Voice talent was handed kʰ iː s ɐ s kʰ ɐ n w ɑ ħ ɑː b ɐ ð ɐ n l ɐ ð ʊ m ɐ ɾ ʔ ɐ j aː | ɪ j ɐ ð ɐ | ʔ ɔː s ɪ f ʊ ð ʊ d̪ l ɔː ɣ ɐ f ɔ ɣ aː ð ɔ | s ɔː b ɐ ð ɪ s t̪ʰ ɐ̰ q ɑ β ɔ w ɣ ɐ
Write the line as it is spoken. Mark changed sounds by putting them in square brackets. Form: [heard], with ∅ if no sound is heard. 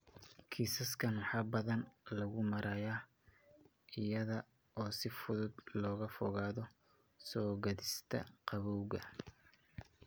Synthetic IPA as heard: kʰ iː s ɐ s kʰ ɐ n w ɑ ħ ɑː b ɐ ð ɐ n l ɐ [ɣ] ʊ m ɐ ɾ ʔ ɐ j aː | ɪ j ɐ ð ɐ | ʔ ɔː s ɪ f ʊ ð ʊ d̪ l ɔː ɣ ɐ f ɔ ɣ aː ð ɔ | s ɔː [ɡ] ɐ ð ɪ s t̪ʰ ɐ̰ q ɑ β ɔ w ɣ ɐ